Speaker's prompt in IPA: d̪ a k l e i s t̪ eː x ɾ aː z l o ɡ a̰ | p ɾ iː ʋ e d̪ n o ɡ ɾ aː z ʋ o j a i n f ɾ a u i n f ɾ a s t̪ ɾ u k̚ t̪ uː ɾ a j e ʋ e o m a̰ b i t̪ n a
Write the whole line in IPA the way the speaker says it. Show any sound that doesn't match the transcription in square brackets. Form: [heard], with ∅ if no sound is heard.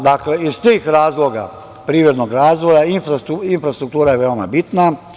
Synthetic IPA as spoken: d̪ a k l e i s t̪ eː x ɾ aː z l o ɡ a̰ | p ɾ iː ʋ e d̪ n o ɡ ɾ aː z ʋ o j a i n f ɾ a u i n f ɾ a s t̪ ɾ u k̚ t̪ uː ɾ a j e ʋ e o m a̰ b i t̪ n a